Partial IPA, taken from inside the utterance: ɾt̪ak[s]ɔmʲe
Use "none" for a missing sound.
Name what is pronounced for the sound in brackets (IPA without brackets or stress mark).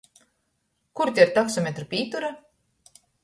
s